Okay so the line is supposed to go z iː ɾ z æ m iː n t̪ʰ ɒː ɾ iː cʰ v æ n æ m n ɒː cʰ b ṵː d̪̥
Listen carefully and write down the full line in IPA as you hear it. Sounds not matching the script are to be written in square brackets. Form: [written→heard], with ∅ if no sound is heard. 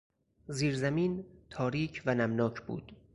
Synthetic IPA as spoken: z iː ɾ z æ m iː n t̪ʰ ɒː ɾ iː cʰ v æ n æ m n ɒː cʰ b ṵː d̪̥